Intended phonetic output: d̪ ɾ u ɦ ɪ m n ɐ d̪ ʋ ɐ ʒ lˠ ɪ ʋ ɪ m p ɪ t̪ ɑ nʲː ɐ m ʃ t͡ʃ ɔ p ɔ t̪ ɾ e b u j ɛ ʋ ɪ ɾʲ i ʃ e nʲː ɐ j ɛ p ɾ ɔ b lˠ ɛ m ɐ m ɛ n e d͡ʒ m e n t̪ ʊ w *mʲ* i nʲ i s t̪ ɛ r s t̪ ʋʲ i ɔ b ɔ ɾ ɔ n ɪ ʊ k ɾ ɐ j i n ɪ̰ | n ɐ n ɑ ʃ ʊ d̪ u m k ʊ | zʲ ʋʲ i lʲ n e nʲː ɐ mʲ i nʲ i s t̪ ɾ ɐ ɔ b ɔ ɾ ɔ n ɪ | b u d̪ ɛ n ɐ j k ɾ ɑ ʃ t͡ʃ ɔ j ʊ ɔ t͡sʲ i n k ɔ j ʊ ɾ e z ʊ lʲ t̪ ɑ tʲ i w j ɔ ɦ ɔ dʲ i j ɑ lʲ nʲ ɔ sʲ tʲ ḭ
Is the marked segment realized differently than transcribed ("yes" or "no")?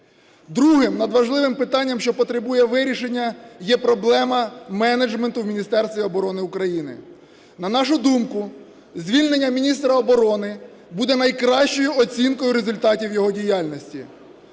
no